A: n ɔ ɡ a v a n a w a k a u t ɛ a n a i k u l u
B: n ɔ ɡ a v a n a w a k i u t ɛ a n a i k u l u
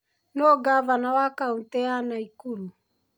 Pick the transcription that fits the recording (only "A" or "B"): A